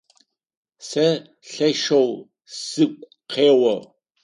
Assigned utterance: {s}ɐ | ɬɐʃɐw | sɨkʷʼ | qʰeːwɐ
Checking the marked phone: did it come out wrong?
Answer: no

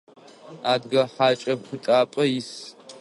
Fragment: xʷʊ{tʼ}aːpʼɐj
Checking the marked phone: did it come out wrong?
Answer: no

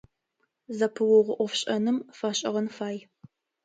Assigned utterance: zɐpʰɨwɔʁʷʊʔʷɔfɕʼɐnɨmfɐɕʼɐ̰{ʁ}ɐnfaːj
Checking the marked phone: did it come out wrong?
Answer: no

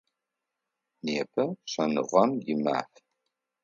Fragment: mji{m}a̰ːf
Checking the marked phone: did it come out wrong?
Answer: no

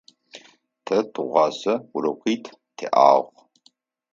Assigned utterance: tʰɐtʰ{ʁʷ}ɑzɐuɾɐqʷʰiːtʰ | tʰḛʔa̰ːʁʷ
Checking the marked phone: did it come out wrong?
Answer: no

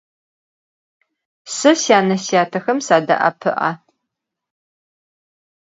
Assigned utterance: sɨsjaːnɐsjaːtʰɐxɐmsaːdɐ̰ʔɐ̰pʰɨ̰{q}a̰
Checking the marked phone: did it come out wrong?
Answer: yes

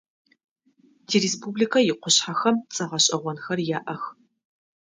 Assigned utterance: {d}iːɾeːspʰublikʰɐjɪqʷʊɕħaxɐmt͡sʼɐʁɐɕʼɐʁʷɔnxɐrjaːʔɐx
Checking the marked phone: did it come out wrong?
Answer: no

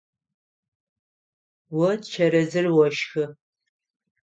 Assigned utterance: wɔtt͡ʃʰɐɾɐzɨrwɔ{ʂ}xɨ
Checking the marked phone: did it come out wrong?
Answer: yes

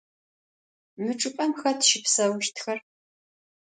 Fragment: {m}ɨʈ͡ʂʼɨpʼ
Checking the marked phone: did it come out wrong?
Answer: no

